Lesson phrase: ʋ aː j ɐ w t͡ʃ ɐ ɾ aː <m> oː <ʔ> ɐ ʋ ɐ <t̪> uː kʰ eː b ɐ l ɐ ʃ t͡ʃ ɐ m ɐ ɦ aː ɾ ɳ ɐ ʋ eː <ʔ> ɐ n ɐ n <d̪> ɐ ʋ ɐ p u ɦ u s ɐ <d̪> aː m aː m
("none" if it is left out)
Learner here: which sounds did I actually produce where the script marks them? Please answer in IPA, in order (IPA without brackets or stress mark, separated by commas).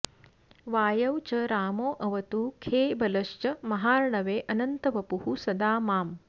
m, ʔ, t̪, ʔ, t̪, d̪